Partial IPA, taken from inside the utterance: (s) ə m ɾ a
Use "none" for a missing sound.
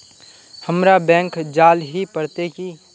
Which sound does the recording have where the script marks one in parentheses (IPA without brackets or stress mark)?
h